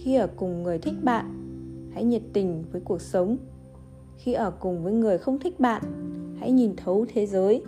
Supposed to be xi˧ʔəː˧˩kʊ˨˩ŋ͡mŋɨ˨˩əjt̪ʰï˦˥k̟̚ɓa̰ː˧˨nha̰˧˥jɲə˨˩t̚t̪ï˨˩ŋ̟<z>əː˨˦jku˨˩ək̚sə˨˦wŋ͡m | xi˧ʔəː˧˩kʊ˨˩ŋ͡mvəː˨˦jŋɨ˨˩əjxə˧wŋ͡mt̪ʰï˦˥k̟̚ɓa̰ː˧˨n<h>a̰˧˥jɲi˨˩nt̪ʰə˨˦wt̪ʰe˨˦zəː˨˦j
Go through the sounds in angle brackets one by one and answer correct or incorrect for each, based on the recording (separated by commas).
incorrect, correct